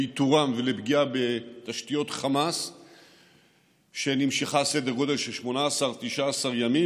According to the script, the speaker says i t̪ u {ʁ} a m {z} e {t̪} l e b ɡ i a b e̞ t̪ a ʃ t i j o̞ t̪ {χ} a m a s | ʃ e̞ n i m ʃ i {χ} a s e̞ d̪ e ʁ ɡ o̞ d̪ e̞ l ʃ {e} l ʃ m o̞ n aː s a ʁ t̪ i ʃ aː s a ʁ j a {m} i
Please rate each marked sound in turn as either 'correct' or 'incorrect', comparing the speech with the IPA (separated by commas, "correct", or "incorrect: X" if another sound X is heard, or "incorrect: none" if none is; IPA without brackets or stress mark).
correct, incorrect: v, incorrect: none, correct, correct, correct, correct